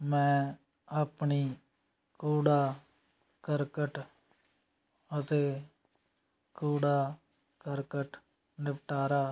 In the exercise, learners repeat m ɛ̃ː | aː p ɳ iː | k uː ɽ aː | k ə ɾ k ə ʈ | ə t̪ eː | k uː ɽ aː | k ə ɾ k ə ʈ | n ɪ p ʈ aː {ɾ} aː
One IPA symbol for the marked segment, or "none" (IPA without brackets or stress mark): ɾ